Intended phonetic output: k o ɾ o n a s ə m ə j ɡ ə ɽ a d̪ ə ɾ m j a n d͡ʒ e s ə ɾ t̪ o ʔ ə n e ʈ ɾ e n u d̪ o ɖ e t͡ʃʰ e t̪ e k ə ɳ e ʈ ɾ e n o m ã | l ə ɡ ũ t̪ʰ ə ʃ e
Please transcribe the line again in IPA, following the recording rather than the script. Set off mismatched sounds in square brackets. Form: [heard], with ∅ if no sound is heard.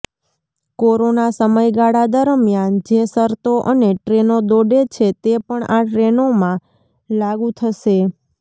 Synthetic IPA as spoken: k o ɾ o n a s ə m ə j ɡ [a] ɽ a d̪ ə ɾ m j a n d͡ʒ e s ə ɾ t̪ o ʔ ə n e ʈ ɾ e n [o] d̪ o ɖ e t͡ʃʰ e t̪ e [p] ə ɳ [a] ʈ ɾ e n o m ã | l [a] ɡ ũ t̪ʰ ə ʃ e